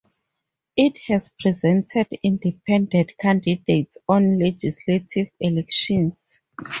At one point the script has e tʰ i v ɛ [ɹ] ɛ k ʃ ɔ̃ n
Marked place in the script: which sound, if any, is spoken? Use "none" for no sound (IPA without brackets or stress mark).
l